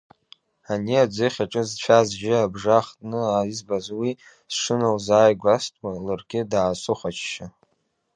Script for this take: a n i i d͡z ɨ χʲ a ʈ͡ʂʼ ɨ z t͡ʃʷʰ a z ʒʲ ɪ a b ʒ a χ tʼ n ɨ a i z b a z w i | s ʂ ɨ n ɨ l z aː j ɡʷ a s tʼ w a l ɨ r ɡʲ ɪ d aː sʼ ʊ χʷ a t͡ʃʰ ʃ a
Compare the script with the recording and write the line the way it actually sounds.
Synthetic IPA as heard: a n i a d͡z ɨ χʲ a ʈ͡ʂʼ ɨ z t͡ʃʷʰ a z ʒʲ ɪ a b ʐ a χ tʼ n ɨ a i z b a z w i | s ʂ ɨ n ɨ l z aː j ɡʷ a s tʼ w a l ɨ r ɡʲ ɪ d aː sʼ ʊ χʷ a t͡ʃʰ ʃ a